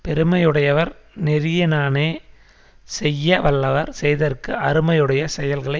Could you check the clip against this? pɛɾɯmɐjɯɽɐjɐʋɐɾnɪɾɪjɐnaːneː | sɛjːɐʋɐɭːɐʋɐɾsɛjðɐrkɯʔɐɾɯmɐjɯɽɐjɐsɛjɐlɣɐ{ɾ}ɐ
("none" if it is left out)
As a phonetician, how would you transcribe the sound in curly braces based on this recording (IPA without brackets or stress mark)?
ɭ